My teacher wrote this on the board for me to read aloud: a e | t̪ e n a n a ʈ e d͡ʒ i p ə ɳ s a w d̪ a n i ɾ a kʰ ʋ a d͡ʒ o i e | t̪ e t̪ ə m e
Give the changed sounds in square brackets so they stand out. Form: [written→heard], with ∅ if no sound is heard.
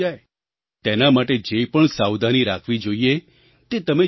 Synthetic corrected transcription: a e | t̪ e n a [n→m] a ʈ e d͡ʒ [i→e] p ə ɳ s a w d̪ a n i ɾ a kʰ ʋ [a→i] d͡ʒ o i e | t̪ e t̪ ə m e

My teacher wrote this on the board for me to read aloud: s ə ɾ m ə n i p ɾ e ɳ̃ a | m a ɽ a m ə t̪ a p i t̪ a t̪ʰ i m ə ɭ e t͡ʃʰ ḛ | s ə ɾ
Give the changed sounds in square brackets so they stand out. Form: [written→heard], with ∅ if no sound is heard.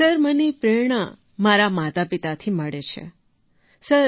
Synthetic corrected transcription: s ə ɾ m ə n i p ɾ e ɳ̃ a | m a [ɽ→ɾ] a m [ə→a] t̪ a p i t̪ a t̪ʰ i m ə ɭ e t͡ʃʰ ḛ | s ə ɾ

